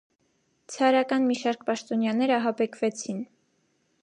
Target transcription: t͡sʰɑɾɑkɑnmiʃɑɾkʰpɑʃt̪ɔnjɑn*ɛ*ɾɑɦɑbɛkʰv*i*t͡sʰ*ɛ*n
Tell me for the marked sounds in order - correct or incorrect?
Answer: correct, incorrect: ɛ, incorrect: i

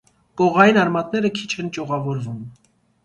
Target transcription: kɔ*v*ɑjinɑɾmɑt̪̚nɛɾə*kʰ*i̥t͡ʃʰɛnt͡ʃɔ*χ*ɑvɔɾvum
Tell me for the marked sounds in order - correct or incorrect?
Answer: incorrect: ʁ, correct, incorrect: ʁ

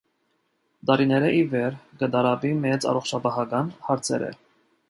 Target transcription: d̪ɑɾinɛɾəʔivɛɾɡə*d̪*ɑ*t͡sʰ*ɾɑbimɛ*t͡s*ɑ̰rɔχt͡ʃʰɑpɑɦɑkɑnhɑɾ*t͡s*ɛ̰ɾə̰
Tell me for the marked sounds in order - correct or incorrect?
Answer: correct, incorrect: none, correct, incorrect: t͡sʰ

